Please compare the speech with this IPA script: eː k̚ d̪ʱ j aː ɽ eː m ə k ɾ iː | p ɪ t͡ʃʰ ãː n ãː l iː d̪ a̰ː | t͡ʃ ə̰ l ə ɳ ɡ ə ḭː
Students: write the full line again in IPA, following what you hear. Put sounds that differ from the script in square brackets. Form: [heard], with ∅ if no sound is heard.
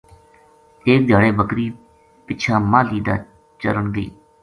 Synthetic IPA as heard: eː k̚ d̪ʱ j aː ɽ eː [b] ə k ɾ iː | p ɪ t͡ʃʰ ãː [m] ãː l iː d̪ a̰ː | t͡ʃ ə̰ [ɾ] ə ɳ ɡ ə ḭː